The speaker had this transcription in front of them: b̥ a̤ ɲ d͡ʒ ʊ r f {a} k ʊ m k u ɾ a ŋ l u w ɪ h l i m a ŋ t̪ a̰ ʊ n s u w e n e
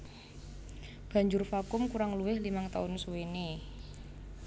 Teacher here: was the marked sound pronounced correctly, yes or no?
yes